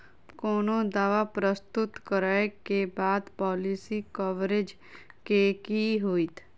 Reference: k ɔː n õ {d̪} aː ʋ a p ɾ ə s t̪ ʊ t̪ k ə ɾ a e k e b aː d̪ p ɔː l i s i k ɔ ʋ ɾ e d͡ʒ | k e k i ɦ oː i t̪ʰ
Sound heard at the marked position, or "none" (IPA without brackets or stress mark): d̪